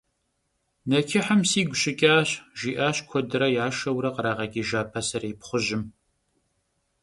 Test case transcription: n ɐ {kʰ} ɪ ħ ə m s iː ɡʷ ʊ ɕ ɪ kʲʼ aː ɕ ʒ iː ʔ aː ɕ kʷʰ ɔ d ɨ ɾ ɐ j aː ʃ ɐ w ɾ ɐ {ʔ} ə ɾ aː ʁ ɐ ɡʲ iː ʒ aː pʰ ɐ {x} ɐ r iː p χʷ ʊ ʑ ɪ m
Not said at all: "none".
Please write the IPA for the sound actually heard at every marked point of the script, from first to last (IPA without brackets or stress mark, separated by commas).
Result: kʰ, q, s